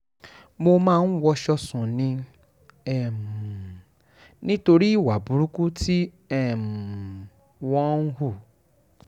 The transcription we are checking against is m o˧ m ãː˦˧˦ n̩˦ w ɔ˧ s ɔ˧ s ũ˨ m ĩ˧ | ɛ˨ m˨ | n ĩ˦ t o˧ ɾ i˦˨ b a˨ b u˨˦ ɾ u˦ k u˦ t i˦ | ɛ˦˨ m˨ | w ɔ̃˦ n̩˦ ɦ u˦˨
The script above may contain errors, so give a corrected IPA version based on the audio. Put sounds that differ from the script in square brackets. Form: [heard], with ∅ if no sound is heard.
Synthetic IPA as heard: m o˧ m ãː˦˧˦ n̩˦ w ɔ˧ [ʃ] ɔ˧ s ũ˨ [n] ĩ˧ | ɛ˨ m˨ | n ĩ˦ t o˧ ɾ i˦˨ [w] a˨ b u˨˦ ɾ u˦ k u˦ t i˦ | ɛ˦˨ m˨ | w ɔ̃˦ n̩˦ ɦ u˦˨